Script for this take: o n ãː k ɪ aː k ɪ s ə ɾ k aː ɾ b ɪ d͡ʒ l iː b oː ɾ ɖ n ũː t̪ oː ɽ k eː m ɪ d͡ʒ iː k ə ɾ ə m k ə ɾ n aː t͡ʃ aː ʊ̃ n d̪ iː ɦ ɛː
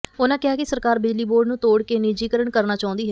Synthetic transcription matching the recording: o n ãː k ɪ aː k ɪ s ə ɾ k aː ɾ b ɪ d͡ʒ l iː b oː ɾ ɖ n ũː t̪ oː ɽ k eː n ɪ d͡ʒ iː k ə ɾ ə ɳ k ə ɾ n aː t͡ʃ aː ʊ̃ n d̪ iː ɦ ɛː

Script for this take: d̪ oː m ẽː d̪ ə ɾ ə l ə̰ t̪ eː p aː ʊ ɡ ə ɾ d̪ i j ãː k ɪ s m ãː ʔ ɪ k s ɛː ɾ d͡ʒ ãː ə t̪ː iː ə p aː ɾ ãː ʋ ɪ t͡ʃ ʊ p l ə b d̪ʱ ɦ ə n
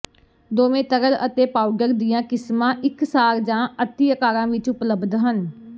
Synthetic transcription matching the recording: d̪ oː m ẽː t̪ ə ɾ ə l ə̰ t̪ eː p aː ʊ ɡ ə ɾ d̪ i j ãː k ɪ s m ãː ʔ ɪ k s aː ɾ d͡ʒ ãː ə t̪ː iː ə k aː ɾ ãː ʋ ɪ t͡ʃ ʊ p l ə b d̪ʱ ɦ ə n

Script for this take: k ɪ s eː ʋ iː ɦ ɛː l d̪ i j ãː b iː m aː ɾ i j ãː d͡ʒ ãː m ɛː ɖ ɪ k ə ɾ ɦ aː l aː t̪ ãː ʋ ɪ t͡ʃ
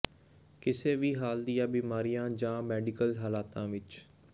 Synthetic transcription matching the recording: k ɪ s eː ʋ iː ɦ aː l d̪ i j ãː b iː m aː ɾ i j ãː d͡ʒ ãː m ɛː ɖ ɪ k ə l ɦ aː l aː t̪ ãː ʋ ɪ t͡ʃ

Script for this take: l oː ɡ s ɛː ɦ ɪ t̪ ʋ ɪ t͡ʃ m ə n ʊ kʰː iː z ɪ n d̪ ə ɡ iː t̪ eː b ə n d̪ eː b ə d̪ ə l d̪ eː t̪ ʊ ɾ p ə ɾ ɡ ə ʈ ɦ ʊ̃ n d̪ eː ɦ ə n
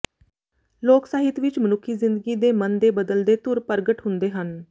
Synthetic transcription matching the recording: l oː k s aː ɦ ɪ t̪ ʋ ɪ t͡ʃ m ə n ʊ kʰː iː z ɪ n d̪ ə ɡ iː d̪ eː m ə n d̪ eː b ə d̪ ə l d̪ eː t̪ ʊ ɾ p ə ɾ ɡ ə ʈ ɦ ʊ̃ n d̪ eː ɦ ə n

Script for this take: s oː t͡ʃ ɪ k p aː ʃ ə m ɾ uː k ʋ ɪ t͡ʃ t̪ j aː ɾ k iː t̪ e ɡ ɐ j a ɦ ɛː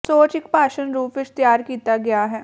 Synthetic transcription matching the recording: s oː t͡ʃ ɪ k p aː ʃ ə n ɾ uː p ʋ ɪ t͡ʃ t̪ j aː ɾ k iː t̪ a ɡ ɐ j a ɦ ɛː

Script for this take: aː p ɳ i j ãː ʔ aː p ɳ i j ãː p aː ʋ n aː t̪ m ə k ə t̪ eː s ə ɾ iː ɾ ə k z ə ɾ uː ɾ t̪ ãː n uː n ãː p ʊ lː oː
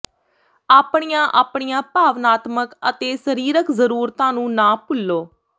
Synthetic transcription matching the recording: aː p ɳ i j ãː ʔ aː p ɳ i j ãː p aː ʋ n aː t̪ m ə k ə t̪ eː s ə ɾ iː ɾ ə k z ə ɾ uː ɾ t̪ ãː n ũː n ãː p ʊ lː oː

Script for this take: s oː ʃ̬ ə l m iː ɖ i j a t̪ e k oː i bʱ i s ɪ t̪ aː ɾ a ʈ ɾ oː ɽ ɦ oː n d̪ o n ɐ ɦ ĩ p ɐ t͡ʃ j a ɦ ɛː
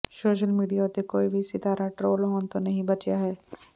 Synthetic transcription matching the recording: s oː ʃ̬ ə l m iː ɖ i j a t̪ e k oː i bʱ i s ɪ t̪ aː ɾ a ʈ ɾ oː l ɦ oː n t̪ o n ɐ ɦ ĩ b ɐ t͡ʃ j a ɦ ɛː

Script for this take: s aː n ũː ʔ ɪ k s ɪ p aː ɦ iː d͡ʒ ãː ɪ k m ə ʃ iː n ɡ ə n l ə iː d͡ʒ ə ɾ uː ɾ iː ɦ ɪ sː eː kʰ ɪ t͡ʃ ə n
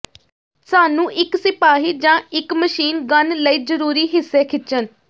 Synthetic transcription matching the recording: s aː n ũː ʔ ɪ k s ɪ p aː ɦ iː d͡ʒ ãː ɪ k m ə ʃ iː n ɡ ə n l ə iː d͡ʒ ə ɾ uː ɾ iː ɦ ɪ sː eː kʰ ɪ t͡ʃ ə n

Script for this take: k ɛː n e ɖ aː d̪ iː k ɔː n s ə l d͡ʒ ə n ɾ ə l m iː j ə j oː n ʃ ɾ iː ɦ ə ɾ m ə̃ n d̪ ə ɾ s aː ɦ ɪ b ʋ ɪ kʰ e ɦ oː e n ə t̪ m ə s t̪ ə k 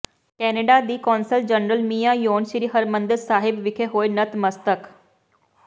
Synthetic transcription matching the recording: k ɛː n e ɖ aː d̪ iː k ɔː n s ə l d͡ʒ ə n ɾ ə l m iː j a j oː n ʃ ɾ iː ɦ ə ɾ m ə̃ n d̪ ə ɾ s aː ɦ ɪ b ʋ ɪ kʰ e ɦ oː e n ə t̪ m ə s t̪ ə k

